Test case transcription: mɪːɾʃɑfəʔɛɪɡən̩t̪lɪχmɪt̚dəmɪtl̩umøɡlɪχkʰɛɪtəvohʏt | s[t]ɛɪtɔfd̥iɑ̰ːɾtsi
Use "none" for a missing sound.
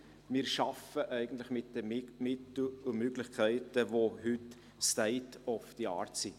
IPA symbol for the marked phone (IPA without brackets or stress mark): t